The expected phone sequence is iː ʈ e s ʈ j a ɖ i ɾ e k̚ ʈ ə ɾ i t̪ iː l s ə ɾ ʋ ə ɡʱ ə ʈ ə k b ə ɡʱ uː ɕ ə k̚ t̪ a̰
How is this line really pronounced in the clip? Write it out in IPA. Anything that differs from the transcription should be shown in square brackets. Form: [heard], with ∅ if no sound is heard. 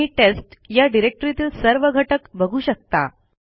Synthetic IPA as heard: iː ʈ e s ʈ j a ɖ i ɾ e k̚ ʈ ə ɾ i t̪ iː l s ə ɾ ʋ ə ɡʱ ə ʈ ə k b ə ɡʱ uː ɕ ə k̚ t̪ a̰